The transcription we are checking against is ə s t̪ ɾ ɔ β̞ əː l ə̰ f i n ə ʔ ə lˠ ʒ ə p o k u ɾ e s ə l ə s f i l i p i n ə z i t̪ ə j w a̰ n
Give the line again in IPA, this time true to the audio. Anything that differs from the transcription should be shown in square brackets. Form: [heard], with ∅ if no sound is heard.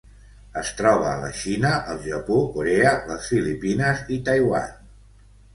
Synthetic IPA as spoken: ə s t̪ ɾ ɔ β̞ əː l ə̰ [ʃ] i n ə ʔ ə lˠ ʒ ə p o k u ɾ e [∅] ə l ə s f i l i p i n ə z i t̪ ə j w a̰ n